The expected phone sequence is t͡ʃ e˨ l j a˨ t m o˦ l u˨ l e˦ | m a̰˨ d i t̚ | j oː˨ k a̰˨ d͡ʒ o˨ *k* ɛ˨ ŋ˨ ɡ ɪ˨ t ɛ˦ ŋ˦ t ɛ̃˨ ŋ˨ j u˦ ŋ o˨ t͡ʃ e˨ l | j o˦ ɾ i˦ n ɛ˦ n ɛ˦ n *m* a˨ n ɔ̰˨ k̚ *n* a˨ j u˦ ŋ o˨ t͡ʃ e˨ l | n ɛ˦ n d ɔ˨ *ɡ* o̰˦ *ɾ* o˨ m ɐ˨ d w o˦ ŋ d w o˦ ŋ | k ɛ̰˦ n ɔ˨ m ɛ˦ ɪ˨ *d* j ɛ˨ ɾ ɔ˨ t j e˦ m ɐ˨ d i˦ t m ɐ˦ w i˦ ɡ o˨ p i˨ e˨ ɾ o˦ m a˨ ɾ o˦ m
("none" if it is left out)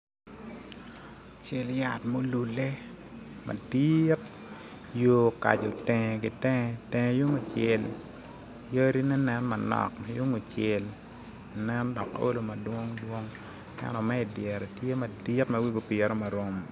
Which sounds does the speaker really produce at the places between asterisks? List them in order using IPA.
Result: t, m, m, k, l, d

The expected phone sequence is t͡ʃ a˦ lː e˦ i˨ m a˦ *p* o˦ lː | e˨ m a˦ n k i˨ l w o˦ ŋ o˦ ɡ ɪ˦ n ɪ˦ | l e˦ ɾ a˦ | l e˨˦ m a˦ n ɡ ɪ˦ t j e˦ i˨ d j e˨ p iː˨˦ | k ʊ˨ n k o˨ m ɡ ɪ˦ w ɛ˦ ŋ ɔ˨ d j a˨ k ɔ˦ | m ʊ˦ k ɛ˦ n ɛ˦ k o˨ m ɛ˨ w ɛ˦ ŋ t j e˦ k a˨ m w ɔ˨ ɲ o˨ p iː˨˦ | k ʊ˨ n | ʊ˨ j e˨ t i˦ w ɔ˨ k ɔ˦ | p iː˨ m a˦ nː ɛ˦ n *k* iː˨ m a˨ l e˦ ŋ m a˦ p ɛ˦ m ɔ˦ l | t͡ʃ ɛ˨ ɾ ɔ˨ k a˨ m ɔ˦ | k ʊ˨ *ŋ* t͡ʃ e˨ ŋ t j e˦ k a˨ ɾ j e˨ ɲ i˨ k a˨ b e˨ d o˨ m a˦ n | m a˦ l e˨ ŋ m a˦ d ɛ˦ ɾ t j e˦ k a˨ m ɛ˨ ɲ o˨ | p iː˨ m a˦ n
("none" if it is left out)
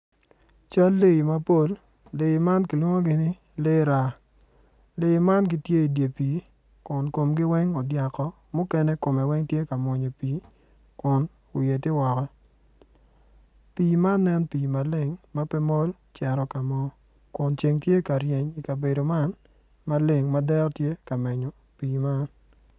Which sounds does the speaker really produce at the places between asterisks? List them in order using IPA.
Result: p, p, n

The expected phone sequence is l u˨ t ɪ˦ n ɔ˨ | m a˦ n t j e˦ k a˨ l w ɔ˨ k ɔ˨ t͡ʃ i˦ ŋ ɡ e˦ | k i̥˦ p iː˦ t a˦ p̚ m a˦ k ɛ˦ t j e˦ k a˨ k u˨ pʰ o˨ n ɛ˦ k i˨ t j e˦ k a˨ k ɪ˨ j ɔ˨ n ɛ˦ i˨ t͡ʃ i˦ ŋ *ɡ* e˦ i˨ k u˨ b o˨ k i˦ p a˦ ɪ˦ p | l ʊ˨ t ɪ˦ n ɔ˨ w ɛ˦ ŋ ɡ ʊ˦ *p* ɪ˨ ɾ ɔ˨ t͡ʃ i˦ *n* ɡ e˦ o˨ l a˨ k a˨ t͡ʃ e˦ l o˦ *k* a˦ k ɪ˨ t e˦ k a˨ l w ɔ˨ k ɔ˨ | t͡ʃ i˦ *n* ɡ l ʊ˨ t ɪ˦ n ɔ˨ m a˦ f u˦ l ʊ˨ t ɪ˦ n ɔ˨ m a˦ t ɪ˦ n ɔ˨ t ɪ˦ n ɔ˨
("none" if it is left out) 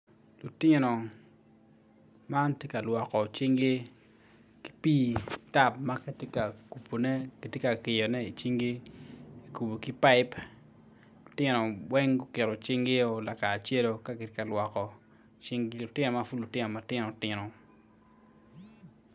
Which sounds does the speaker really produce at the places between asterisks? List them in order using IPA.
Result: ɡ, k, ŋ, k, ŋ

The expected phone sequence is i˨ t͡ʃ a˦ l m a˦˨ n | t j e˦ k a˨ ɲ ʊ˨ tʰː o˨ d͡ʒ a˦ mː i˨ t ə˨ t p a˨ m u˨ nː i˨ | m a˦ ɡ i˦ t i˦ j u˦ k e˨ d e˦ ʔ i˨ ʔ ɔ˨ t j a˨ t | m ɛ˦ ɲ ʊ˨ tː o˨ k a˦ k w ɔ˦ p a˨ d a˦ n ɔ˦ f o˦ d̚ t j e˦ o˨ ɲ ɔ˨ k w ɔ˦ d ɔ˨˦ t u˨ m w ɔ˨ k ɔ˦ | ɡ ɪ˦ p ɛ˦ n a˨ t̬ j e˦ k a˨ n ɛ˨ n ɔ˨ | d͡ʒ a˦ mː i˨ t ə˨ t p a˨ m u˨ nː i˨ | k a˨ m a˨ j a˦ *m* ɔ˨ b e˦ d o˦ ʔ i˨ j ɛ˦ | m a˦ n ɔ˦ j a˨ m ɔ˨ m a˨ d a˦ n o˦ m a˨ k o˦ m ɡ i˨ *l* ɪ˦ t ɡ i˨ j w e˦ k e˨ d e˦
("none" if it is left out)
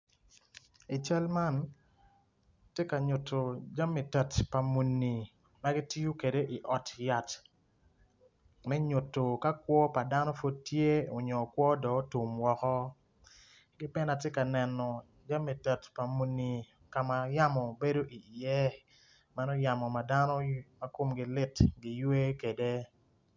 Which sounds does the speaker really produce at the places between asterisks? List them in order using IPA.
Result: m, l

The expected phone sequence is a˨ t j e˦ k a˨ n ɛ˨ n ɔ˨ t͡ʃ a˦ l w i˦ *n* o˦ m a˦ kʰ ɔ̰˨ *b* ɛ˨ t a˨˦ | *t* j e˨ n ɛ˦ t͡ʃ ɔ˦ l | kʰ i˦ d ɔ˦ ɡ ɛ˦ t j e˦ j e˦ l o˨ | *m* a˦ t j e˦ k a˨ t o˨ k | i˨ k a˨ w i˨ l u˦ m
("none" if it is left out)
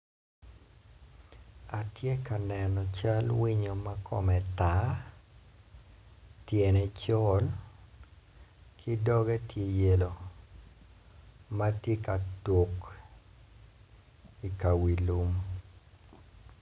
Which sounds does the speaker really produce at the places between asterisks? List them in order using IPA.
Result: ɲ, m, t, m

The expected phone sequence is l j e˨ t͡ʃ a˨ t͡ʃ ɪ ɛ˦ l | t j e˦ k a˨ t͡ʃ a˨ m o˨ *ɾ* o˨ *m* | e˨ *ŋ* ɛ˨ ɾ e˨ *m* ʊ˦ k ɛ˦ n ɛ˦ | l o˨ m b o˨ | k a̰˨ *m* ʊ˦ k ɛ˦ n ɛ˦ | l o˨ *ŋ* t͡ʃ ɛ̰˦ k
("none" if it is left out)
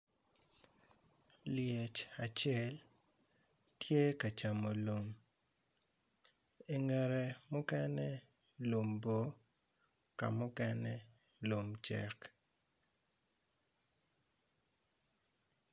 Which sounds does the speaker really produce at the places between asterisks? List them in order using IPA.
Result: l, m, ŋ, m, m, m

